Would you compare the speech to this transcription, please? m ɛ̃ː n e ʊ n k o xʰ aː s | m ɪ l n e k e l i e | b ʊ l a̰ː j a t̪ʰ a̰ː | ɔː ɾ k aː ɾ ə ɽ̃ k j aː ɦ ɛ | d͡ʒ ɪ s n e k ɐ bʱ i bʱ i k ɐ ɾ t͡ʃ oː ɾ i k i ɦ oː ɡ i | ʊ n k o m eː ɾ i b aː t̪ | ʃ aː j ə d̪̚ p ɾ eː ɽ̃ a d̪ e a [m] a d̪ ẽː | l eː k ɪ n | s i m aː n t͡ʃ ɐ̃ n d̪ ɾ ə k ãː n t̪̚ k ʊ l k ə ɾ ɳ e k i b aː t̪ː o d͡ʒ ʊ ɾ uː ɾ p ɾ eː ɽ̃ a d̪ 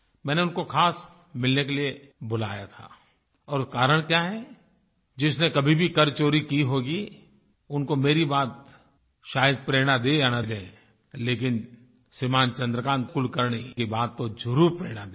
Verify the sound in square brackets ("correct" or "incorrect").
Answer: incorrect